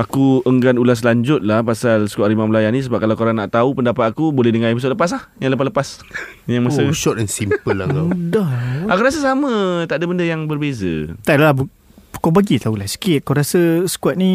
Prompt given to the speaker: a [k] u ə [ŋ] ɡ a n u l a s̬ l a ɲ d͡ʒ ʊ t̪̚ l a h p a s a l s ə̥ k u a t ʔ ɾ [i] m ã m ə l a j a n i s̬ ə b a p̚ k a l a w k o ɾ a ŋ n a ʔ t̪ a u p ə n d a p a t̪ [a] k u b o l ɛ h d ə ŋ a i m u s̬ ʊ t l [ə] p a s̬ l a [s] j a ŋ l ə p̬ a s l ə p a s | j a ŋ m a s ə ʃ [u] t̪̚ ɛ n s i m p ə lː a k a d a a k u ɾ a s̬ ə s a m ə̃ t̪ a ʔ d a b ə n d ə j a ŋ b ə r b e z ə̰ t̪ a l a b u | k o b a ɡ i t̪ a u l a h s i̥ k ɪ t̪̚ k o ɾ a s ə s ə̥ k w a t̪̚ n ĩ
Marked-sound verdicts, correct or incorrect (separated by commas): correct, correct, correct, correct, correct, incorrect, incorrect